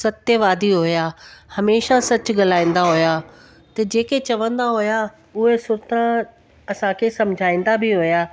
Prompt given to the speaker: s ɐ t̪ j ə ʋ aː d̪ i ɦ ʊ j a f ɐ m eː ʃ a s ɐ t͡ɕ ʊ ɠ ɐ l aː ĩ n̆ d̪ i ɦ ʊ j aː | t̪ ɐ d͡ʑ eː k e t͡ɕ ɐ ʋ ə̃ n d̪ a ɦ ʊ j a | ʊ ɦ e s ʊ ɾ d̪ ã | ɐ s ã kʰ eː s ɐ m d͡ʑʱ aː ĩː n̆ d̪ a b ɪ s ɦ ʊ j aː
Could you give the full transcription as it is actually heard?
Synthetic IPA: s ɐ t̪ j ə ʋ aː d̪ i ɦ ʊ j a h ɐ m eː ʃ a s ɐ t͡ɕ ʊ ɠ ɐ l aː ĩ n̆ d̪ a ɦ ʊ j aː | t̪ ɐ d͡ʑ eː k e t͡ɕ ɐ ʋ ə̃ n d̪ a ɦ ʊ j a | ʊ ɦ e s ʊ ɾ t̪ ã | ɐ s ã kʰ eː s ɐ m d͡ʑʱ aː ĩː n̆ d̪ a b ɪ ɦ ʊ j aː

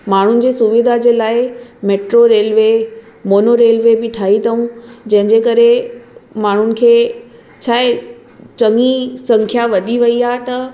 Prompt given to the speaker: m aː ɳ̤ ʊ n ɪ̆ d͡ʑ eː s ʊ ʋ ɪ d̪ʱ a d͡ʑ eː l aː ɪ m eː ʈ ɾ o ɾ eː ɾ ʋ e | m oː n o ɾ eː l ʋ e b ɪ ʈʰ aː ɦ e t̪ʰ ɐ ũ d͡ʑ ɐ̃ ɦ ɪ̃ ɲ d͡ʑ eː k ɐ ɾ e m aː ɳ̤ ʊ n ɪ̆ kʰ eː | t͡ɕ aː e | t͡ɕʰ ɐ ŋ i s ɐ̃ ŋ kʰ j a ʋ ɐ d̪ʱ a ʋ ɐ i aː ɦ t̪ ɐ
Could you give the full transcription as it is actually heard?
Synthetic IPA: m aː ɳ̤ ʊ n ɪ̆ d͡ʑ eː s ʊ ʋ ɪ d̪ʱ a d͡ʑ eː l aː ɪ m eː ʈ ɾ o ɾ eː l ʋ e | m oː n o ɾ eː l ʋ e b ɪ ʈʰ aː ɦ i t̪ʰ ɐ ũ d͡ʑ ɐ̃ ɦ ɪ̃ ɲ d͡ʑ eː k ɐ ɾ e m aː ɳ̤ ʊ n ɪ̆ kʰ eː | t͡ɕʰ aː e | t͡ɕ ɐ ŋ i s ɐ̃ ŋ kʰ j a ʋ ɐ d̪ʱ i ʋ ɐ i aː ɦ t̪ ɐ

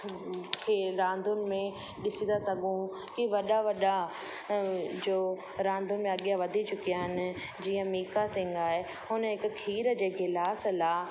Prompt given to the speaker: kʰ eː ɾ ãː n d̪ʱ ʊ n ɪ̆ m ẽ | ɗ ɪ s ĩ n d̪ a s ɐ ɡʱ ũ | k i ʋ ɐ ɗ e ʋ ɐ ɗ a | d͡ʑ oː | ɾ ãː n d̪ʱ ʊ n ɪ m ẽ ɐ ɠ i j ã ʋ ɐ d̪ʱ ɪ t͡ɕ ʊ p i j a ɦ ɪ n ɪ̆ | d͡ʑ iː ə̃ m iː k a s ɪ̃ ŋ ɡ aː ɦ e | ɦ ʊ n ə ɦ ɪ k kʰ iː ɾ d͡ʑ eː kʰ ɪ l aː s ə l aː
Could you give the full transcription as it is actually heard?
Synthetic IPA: kʰ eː ɾ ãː n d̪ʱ ʊ n ɪ̆ m ẽ | ɗ ɪ s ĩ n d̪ a s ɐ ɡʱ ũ | k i ʋ ɐ ɗ a ʋ ɐ ɗ a | d͡ʑ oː | ɾ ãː n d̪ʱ ʊ n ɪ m ẽ ɐ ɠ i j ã ʋ ɐ d̪ʱ i t͡ɕ ʊ k i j a ɦ ɪ n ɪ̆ | d͡ʑ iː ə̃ m iː k a s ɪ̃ ŋ ɡ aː ɦ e | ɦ ʊ n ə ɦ ɪ k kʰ iː ɾ d͡ʑ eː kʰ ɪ l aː s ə l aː

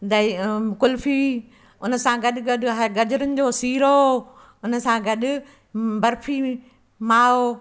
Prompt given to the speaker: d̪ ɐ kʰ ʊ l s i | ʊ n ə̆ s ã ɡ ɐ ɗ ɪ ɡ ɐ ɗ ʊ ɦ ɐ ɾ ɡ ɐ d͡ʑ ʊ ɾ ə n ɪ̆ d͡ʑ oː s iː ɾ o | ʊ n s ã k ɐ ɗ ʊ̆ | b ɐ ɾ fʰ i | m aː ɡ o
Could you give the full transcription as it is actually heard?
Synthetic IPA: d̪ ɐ k ʊ l f i | ʊ n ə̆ s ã ɡ ɐ ɗ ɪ ɡ ɐ ɗ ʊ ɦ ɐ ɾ ɡ ɐ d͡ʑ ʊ ɾ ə n ɪ̆ d͡ʑ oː s iː ɾ o | ʊ n s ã ɡ ɐ ɗ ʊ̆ | b ɐ ɾ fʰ i | m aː o

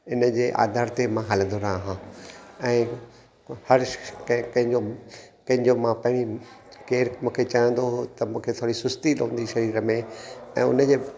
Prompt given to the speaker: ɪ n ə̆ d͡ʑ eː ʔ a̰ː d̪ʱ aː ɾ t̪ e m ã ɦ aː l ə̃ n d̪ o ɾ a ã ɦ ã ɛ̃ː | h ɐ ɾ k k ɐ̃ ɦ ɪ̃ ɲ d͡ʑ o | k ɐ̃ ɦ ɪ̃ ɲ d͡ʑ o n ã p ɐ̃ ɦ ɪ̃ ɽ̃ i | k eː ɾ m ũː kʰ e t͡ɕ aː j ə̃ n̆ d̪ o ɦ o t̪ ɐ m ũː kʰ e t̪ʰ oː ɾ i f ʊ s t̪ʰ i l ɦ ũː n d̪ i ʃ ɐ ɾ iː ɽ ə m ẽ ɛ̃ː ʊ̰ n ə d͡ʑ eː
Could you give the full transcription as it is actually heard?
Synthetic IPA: ɪ n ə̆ d͡ʑ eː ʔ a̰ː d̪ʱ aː ɾ t̪ e m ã ɦ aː l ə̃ n d̪ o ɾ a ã ɦ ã ɛ̃ː | h ɐ ɾ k k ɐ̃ ɦ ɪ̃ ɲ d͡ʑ o | k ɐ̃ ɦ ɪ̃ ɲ d͡ʑ o m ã p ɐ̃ ɦ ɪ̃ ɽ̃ i | k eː ɾ m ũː kʰ e t͡ɕ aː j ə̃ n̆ d̪ o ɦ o t̪ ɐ m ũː kʰ e t̪ʰ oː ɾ i s ʊ s t̪ i l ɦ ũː n d̪ i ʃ ɐ ɾ iː ɾ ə m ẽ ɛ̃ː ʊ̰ n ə d͡ʑ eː

